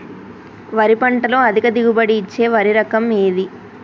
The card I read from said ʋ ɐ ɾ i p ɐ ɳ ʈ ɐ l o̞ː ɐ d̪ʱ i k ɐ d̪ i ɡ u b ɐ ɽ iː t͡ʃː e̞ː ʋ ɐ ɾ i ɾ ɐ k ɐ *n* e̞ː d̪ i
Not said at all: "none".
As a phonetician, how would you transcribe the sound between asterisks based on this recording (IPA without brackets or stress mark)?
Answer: m